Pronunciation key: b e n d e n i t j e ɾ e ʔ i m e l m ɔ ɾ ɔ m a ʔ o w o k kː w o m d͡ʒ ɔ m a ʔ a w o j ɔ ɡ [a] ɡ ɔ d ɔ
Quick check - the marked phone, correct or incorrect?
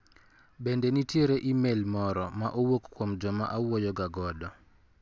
correct